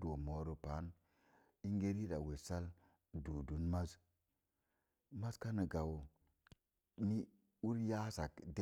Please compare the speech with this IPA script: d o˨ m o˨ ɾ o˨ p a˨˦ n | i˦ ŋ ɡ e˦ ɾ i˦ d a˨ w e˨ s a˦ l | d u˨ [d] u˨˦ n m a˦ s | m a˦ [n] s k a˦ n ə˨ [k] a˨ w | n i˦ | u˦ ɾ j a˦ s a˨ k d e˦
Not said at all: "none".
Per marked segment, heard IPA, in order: d, none, ɡ

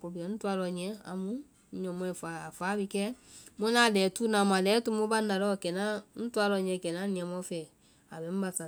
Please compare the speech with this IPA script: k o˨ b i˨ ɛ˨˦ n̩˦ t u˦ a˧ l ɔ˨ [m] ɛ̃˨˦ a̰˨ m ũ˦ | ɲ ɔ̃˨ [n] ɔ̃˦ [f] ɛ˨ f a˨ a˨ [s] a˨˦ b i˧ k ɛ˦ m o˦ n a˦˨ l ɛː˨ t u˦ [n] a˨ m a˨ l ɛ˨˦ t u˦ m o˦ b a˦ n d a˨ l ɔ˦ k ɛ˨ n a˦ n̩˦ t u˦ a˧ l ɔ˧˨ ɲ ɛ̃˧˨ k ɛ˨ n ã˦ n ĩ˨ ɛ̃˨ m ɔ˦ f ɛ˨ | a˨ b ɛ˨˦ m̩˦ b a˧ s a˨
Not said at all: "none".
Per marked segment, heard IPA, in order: ɲ, m, none, f, n

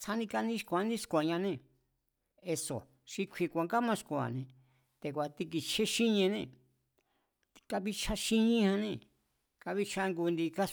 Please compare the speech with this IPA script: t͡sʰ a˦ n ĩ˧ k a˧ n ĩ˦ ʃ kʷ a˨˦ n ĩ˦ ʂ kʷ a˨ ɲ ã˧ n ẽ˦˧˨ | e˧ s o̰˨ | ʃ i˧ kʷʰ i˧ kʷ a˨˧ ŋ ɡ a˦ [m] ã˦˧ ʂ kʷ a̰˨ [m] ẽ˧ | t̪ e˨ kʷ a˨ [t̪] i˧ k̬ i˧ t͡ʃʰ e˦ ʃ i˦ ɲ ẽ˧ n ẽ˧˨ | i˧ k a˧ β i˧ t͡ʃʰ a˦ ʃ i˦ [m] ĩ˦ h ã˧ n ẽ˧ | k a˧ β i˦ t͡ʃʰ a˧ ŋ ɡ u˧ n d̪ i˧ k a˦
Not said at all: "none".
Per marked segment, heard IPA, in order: m, n, t̪, ɲ

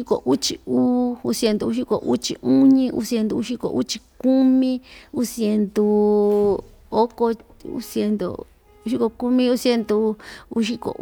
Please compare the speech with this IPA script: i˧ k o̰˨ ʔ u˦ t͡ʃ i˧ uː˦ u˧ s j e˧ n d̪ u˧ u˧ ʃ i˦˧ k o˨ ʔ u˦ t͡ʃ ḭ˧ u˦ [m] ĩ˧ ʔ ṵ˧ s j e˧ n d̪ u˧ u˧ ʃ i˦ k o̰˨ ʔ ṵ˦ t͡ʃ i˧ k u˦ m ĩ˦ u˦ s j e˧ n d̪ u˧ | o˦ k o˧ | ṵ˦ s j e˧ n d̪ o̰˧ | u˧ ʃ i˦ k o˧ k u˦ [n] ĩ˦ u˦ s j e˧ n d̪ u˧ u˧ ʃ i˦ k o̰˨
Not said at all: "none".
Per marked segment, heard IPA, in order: ɲ, m

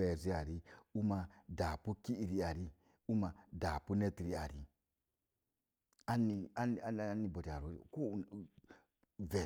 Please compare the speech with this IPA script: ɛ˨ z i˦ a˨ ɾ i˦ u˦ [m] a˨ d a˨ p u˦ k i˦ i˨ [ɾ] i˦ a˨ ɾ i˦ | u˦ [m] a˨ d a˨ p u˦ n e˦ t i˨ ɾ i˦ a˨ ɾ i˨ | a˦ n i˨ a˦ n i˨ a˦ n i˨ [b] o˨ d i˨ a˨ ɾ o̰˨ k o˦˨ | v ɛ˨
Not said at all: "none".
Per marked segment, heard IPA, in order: m, ɾ, m, b

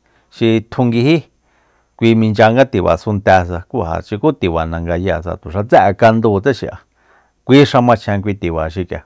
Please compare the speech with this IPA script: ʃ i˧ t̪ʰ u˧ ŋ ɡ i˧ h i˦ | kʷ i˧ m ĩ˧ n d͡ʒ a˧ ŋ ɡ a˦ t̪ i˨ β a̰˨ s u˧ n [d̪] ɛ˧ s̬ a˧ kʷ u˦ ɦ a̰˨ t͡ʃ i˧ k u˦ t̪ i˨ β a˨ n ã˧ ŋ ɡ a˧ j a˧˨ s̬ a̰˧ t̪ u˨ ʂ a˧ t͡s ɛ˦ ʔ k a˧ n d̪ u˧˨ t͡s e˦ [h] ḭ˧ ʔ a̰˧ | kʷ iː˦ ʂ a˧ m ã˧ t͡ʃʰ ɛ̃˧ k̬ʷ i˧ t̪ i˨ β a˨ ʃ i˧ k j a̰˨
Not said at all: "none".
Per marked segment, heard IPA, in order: t̪, ʃ

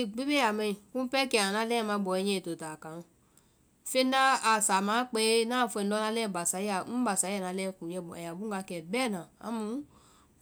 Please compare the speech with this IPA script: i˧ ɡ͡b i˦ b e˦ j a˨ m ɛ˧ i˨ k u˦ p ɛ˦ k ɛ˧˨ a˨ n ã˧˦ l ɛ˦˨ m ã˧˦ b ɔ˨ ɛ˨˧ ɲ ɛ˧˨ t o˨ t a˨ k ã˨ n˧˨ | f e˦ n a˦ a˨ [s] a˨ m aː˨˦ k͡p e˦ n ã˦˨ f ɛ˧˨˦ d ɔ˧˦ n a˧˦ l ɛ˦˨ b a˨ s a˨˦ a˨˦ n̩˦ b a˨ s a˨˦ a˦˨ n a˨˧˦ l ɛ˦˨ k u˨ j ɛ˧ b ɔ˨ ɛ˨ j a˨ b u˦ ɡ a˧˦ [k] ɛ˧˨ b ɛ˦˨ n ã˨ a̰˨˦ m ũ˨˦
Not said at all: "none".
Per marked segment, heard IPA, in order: s, k

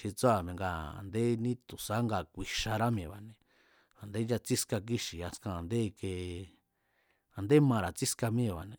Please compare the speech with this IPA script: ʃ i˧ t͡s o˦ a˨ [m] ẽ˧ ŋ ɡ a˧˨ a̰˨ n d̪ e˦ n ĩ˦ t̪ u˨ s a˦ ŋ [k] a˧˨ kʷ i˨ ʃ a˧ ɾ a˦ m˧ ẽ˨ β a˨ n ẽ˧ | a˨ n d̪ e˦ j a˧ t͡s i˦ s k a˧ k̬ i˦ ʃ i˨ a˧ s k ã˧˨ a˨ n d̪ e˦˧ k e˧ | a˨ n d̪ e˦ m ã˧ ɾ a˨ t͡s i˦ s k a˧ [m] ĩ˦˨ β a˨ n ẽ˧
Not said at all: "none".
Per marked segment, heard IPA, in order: m, ɡ, m

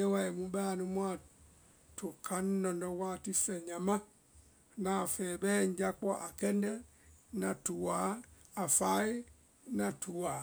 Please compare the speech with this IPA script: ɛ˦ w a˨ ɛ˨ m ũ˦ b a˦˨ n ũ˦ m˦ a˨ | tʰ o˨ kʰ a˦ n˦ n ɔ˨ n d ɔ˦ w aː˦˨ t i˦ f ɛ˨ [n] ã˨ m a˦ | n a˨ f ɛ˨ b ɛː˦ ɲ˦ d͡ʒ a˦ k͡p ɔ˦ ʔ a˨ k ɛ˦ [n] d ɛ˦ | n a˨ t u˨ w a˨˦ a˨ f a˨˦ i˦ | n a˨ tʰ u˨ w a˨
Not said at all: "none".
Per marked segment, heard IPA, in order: ɲ, n

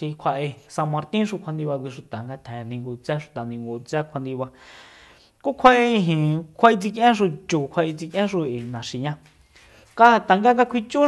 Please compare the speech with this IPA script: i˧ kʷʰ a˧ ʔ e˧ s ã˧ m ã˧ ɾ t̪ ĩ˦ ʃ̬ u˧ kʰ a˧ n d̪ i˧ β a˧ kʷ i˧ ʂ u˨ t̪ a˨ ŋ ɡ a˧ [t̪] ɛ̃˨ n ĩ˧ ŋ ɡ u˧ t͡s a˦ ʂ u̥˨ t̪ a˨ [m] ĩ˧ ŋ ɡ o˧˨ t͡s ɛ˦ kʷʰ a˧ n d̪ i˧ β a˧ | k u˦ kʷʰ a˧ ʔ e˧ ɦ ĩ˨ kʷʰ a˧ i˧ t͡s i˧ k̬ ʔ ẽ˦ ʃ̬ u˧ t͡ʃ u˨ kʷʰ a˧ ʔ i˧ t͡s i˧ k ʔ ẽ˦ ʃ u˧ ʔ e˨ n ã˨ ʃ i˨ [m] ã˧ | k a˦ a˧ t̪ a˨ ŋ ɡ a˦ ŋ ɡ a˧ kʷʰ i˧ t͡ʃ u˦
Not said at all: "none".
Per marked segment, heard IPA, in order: t̪ʰ, n, ɲ

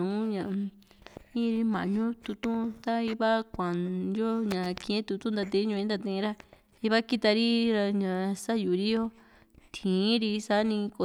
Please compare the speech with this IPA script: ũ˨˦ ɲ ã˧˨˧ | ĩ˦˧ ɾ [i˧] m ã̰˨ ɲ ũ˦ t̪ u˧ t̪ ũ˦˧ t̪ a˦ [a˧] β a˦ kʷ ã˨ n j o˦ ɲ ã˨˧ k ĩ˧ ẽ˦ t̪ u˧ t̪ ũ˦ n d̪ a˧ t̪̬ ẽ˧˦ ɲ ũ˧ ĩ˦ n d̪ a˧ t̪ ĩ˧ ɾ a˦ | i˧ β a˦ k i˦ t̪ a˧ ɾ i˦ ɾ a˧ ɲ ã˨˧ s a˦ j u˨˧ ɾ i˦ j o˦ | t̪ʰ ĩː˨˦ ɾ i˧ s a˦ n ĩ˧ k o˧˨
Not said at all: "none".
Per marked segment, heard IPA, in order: i˧, i˧

